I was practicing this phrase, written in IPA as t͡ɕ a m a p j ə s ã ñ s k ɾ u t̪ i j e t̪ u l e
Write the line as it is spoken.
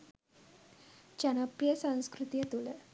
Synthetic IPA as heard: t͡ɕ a n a p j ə s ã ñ s k ɾ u t̪ i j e t̪ u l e